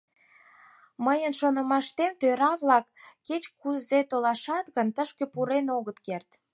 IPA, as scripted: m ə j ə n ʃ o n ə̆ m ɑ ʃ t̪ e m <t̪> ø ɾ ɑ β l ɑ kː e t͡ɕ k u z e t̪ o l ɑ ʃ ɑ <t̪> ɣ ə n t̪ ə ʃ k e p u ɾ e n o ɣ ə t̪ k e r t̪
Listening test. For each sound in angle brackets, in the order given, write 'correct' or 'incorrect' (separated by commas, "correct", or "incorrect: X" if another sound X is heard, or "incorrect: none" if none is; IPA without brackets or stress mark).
correct, correct